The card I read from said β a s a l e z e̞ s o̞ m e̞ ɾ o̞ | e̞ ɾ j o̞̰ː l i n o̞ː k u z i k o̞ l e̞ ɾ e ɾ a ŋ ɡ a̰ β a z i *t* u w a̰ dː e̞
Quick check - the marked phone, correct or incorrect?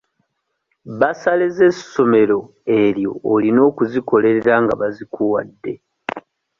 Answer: incorrect